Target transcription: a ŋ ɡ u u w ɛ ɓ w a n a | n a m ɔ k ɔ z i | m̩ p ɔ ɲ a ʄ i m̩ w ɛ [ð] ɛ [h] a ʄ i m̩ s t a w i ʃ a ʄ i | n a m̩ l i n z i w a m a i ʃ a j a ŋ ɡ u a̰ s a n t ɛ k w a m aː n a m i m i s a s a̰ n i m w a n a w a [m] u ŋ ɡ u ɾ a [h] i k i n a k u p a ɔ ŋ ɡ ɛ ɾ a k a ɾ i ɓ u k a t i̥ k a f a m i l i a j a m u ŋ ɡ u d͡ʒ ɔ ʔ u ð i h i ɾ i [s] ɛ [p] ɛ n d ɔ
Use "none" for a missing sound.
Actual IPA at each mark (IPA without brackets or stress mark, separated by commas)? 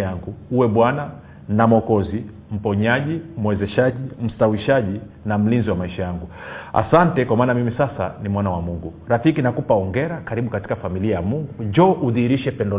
z, ʃ, m, f, ʃ, p